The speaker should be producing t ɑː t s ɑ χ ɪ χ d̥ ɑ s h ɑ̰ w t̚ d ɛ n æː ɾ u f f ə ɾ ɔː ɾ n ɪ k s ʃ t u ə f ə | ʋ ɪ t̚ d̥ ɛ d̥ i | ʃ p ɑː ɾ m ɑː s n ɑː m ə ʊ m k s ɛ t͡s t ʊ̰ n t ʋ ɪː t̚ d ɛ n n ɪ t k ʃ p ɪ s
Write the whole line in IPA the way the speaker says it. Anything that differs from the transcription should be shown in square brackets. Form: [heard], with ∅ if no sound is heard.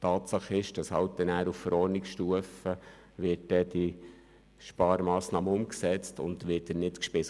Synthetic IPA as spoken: t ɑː t s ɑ χ ɪ [ʃ] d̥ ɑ s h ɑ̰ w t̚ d ɛ n æː ɾ u f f ə ɾ ɔː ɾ n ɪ k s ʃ t u ə f ə | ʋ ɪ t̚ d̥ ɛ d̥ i | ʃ p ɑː ɾ m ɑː s n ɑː m ə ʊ m k s ɛ t͡s t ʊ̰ n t ʋ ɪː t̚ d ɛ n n ɪ t k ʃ p ɪ s